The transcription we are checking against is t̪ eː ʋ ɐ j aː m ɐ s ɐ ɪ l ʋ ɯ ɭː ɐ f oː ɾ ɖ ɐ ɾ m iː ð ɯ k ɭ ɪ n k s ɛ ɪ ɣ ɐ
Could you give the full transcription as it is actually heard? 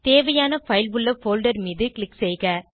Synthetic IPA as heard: t̪ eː ʋ ɐ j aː n ɐ f ɐ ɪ l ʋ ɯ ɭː ɐ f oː l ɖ ɐ ɾ m iː ð ɯ k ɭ ɪ k s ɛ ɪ ɣ ɐ